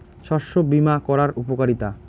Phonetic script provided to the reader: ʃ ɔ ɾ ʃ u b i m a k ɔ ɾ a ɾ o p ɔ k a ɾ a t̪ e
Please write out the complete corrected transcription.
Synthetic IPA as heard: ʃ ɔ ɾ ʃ o b i m a k ɔ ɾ a ɾ u p o k a ɾ i t̪ a